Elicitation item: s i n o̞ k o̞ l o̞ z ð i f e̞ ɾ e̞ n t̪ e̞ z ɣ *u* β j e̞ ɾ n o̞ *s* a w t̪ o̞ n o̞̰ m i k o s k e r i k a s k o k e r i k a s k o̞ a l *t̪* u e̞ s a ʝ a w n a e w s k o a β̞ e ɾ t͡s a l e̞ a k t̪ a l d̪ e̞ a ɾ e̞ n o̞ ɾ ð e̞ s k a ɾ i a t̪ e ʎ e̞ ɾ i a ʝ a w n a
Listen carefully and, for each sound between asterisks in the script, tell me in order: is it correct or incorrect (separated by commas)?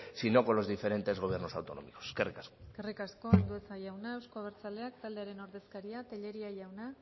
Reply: incorrect, correct, incorrect